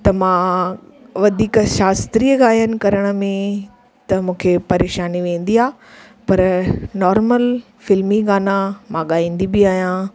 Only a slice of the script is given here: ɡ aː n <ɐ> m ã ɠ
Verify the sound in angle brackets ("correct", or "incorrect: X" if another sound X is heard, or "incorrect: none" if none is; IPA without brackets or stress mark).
incorrect: a